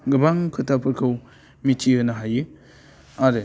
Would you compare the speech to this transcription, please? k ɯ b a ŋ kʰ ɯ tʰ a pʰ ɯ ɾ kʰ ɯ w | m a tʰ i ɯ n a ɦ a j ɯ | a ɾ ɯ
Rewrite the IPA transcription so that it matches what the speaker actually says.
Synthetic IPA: ɡ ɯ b a ŋ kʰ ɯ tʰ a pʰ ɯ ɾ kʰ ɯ w | m i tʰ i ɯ n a ɦ a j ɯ | a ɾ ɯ